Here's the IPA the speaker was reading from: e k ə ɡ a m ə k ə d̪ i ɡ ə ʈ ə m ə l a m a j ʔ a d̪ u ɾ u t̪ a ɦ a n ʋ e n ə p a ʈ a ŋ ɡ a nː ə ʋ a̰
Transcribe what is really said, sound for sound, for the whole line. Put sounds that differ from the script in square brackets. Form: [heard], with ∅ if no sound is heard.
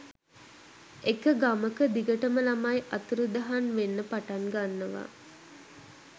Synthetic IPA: e k ə ɡ a m ə k ə d̪ i ɡ ə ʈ ə m ə l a m a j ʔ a [t̪] u ɾ u [d̪] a ɦ a n ʋ e [nː] ə p a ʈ a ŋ ɡ a nː ə ʋ a̰